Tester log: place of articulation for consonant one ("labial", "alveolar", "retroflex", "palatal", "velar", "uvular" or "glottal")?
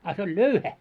alveolar